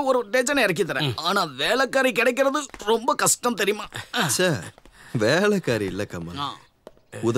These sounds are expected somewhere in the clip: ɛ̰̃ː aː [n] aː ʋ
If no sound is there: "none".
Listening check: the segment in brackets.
n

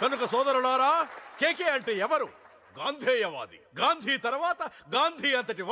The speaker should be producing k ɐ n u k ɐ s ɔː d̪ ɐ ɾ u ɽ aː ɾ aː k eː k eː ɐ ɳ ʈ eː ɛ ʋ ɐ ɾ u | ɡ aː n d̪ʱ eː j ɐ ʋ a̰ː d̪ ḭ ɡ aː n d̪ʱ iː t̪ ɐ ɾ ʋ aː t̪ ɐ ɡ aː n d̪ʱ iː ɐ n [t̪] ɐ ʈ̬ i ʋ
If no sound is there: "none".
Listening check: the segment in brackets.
t̪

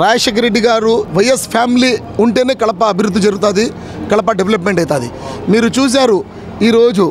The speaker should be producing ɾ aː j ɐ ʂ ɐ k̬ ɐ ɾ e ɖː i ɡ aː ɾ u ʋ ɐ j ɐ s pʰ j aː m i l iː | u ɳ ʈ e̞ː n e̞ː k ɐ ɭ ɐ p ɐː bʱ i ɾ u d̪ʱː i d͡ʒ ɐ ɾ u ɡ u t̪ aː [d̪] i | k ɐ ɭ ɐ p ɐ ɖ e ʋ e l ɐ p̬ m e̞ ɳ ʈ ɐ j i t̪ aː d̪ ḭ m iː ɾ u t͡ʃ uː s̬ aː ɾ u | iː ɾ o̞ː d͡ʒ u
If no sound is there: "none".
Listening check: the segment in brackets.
d̪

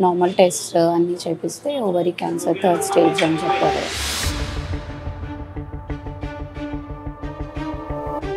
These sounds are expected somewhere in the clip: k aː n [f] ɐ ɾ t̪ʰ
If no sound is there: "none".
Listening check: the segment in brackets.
s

